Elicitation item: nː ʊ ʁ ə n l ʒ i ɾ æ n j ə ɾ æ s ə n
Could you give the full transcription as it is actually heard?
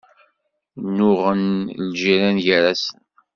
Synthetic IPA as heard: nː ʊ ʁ ə n l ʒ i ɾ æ n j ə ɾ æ s ə n